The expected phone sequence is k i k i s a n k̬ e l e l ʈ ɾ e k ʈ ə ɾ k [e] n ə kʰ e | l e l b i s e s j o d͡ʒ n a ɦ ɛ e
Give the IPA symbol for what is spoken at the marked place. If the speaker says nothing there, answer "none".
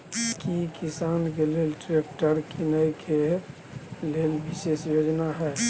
i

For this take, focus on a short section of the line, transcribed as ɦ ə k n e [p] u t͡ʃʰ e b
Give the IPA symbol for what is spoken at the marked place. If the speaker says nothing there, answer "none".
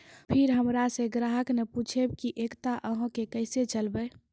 p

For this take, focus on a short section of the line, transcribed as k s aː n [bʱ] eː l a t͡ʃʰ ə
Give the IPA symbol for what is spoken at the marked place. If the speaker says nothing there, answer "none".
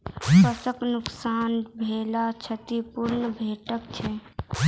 bʱ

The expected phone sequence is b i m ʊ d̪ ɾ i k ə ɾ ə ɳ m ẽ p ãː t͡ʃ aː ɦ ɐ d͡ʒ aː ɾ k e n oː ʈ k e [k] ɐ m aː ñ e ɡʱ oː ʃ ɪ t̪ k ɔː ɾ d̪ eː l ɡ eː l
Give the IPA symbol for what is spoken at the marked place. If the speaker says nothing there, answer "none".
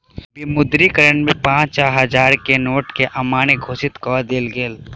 ʔ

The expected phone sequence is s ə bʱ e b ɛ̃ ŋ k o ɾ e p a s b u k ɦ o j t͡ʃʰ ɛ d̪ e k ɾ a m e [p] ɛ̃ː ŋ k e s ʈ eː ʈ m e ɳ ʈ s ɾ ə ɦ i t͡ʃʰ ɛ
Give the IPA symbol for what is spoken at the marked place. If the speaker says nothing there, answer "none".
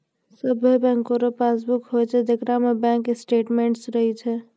b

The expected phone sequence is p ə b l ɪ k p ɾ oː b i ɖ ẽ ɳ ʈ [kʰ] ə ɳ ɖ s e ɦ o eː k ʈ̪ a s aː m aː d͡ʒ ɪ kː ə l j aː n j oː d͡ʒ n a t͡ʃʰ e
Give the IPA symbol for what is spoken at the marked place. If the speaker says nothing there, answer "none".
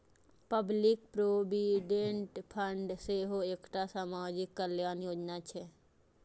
pʰ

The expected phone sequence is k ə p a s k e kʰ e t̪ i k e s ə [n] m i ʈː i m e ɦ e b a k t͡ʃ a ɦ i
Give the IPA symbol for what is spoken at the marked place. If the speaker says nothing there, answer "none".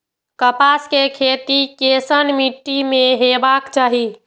n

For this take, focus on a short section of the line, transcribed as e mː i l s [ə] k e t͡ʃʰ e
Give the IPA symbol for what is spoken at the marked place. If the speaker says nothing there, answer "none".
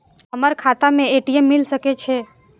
ə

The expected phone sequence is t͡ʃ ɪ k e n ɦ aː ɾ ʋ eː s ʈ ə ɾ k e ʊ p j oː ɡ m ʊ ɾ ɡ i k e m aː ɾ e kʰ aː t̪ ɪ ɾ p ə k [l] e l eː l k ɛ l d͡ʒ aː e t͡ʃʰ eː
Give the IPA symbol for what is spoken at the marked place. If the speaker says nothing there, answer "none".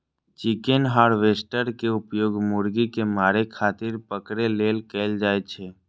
ɾ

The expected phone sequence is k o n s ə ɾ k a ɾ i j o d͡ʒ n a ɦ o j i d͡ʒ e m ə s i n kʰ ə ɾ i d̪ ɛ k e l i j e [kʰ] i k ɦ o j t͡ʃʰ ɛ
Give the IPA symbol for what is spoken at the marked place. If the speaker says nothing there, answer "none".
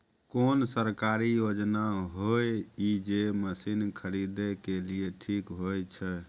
ʈʰ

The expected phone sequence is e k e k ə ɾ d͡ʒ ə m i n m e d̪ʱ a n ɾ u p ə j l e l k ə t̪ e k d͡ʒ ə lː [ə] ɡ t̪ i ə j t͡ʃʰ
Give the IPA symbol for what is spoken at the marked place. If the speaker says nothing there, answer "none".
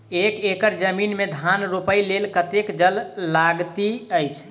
a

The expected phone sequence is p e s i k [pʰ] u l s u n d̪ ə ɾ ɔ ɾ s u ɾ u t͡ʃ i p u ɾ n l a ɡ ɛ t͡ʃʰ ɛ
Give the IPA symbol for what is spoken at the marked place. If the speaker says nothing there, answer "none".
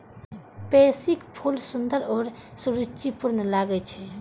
pʰ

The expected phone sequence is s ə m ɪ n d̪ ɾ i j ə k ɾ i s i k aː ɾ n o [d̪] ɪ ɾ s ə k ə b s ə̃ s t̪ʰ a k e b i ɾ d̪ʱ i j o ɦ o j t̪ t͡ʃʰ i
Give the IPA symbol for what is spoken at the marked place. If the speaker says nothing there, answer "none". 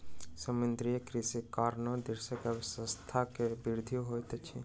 d̪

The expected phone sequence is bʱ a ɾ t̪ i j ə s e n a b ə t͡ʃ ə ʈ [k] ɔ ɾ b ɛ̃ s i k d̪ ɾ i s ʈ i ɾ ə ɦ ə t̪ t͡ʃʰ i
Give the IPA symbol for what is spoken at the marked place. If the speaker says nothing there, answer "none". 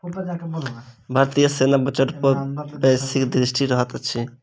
p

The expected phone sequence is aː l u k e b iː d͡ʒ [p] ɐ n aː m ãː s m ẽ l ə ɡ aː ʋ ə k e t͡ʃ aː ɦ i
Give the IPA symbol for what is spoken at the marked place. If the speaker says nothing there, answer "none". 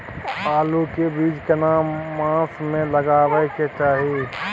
k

